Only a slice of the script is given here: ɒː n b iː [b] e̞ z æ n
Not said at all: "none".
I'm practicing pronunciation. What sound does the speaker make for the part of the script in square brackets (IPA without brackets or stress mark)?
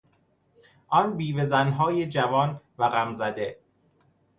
v